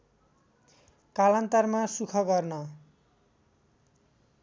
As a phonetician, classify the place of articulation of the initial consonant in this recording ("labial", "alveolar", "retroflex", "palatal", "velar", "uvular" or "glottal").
velar